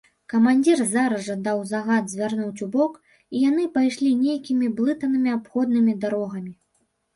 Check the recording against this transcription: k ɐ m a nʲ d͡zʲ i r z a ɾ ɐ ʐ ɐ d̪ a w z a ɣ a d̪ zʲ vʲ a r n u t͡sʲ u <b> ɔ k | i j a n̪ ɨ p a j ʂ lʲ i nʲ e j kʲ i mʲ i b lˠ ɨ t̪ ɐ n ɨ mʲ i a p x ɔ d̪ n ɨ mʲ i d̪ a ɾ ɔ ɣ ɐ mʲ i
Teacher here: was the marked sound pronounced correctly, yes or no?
yes